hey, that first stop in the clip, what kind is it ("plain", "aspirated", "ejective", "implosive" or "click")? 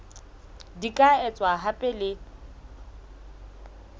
plain